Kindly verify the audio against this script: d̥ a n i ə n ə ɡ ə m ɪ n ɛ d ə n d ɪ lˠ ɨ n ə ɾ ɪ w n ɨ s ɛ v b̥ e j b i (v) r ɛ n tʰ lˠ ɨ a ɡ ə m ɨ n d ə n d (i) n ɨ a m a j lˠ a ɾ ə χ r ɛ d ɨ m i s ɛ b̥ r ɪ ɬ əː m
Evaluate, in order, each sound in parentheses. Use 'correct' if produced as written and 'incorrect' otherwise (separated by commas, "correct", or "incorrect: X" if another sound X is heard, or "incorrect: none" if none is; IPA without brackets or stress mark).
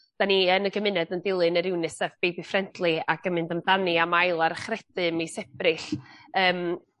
incorrect: f, incorrect: a